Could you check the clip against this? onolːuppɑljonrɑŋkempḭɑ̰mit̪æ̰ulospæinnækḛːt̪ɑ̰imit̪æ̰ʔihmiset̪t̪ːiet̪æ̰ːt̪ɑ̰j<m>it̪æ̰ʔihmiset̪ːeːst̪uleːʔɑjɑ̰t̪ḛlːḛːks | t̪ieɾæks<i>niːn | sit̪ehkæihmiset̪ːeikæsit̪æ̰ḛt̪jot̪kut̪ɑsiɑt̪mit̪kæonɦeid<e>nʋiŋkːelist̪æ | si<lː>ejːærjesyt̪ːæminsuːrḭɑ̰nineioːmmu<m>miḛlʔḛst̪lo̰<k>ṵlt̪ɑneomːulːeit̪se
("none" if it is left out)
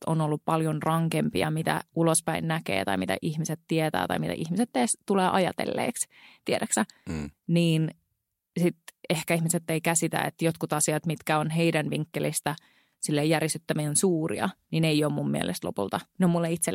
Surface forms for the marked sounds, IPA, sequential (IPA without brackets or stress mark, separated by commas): m, æ, æ, lː, m, p